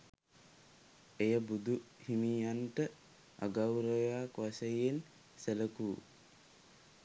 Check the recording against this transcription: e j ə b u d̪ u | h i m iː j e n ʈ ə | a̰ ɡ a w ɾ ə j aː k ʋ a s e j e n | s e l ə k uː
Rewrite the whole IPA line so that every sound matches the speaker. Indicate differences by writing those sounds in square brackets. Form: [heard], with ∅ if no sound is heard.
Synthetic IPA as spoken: e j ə b u d̪ u | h i m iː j [a] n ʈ ə | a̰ ɡ a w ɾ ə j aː k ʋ a s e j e n | s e l ə k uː